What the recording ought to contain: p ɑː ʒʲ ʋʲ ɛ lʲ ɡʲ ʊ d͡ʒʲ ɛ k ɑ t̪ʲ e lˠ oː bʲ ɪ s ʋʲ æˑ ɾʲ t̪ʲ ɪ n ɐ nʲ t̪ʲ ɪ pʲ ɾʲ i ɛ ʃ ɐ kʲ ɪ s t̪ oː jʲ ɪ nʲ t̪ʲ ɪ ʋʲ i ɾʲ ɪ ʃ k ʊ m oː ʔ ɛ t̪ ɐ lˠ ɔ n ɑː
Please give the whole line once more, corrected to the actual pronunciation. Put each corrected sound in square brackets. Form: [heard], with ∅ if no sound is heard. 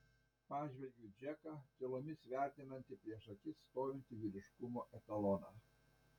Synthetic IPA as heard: p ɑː ʒʲ ʋʲ ɛ lʲ ɡʲ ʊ d͡ʒʲ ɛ k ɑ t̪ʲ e lˠ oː [mʲ] ɪ s ʋʲ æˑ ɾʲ t̪ʲ ɪ n ɐ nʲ t̪ʲ ɪ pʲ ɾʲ i ɛ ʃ ɐ kʲ ɪ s t̪ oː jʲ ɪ nʲ t̪ʲ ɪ ʋʲ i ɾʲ ɪ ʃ k ʊ m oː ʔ ɛ t̪ ɐ lˠ ɔ n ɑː